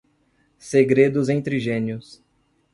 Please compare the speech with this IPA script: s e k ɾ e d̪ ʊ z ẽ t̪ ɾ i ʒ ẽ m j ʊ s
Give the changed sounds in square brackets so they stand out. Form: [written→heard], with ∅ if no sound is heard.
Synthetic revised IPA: s e [k→ɡ] ɾ e d̪ ʊ z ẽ t̪ ɾ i ʒ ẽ [m→n] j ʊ s